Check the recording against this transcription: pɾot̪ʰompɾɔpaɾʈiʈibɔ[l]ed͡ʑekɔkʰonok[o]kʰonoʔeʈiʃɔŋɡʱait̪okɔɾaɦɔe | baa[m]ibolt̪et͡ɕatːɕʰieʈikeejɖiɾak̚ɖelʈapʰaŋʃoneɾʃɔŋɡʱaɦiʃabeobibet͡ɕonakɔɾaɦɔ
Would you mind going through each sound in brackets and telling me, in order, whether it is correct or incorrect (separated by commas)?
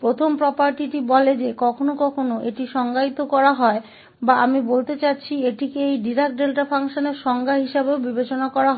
correct, incorrect, correct